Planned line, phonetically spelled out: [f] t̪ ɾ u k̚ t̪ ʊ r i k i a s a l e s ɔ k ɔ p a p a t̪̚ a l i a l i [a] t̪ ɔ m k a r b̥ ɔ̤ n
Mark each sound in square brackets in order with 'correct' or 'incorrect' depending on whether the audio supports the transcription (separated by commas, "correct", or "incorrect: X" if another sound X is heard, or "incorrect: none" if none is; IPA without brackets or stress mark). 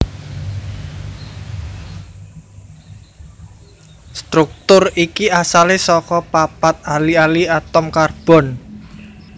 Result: incorrect: s, correct